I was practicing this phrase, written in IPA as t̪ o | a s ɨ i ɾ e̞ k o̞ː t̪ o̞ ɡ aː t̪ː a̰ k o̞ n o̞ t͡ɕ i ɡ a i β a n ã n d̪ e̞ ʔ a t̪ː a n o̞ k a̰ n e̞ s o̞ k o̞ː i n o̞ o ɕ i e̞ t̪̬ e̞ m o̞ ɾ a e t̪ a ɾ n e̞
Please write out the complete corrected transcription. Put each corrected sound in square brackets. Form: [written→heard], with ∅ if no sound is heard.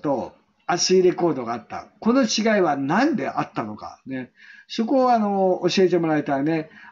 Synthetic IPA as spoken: t̪ o | a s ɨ i ɾ e̞ k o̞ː [t̪→d̪] o̞ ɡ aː t̪ː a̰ k o̞ n o̞ t͡ɕ i ɡ a i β a n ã n d̪ e̞ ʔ a t̪ː a n o̞ k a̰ n e̞ s o̞ k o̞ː [i→a] n o̞ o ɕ i e̞ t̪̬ e̞ m o̞ ɾ a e t̪ a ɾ n e̞